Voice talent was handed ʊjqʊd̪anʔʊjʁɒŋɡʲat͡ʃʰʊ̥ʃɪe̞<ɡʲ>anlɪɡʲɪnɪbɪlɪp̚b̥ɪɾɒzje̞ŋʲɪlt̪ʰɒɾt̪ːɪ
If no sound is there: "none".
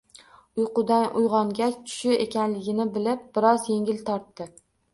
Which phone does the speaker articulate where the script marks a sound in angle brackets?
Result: kʲ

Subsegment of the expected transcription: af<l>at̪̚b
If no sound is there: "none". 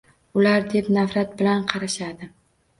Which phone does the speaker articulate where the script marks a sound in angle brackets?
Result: ɾ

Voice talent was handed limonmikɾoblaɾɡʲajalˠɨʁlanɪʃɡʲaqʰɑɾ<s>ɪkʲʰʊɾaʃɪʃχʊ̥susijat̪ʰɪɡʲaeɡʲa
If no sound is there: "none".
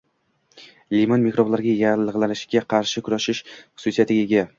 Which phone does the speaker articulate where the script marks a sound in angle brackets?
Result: ʃ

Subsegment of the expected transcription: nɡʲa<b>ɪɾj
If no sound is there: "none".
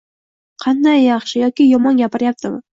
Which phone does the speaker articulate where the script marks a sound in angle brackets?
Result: p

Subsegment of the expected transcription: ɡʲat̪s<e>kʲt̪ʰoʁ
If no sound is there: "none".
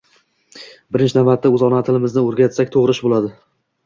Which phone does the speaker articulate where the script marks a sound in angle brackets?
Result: a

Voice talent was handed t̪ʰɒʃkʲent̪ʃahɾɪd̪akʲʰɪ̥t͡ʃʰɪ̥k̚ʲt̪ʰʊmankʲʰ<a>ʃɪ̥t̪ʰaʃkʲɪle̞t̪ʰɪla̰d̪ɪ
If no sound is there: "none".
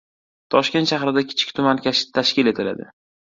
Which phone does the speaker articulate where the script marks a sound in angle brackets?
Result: a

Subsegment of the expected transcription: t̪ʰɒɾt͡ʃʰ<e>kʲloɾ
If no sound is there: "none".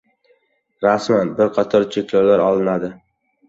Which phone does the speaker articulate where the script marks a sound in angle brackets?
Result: e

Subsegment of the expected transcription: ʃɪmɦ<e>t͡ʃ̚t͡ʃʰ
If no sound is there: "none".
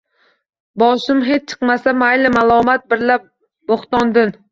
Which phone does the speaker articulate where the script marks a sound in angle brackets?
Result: e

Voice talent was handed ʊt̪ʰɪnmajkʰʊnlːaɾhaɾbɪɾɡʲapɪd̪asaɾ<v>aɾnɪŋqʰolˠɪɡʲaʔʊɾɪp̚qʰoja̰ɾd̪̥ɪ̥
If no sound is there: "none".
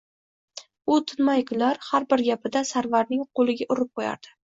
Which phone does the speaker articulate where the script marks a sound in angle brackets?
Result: v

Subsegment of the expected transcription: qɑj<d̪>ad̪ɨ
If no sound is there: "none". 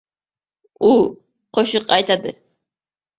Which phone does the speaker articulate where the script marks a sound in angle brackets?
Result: t̪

